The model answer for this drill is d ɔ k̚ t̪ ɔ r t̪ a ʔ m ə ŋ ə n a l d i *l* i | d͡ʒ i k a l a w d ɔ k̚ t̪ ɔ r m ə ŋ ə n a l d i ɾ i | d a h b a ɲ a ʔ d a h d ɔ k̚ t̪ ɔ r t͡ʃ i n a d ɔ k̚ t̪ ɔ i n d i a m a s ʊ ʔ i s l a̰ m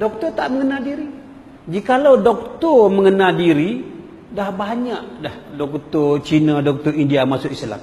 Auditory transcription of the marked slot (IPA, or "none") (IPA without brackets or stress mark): ɾ